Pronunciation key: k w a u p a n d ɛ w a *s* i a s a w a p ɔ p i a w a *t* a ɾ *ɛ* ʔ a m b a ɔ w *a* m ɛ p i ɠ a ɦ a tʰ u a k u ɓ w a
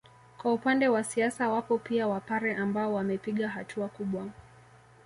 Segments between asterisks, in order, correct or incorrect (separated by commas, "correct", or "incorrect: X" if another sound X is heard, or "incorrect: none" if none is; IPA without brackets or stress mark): correct, incorrect: p, correct, correct